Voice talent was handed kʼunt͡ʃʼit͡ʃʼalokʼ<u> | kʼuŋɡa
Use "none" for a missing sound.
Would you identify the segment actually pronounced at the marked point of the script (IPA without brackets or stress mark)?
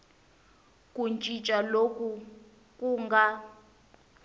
u